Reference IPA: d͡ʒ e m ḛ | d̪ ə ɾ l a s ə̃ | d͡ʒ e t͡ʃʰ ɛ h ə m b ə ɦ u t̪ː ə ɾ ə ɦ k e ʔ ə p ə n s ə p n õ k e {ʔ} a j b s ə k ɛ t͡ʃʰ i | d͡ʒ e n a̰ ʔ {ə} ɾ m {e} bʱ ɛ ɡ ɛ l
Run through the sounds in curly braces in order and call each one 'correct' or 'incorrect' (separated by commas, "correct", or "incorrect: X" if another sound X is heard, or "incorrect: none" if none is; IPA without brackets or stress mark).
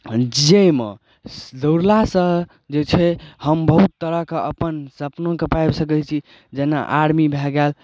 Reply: incorrect: p, incorrect: a, incorrect: i